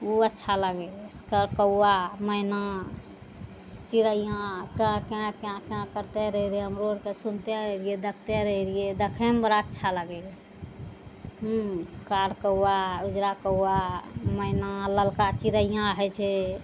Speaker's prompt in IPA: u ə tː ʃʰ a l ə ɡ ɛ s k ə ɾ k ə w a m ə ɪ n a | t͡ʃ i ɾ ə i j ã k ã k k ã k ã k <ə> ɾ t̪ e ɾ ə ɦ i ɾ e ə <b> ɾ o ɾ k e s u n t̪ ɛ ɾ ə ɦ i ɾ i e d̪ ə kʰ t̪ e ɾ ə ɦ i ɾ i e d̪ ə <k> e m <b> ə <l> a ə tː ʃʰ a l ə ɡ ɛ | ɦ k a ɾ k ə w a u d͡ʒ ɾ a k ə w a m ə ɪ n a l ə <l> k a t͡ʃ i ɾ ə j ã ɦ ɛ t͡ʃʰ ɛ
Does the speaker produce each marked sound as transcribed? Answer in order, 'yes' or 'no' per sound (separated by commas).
yes, no, no, yes, no, yes